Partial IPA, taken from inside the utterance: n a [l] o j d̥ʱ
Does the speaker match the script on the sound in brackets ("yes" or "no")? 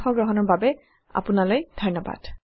yes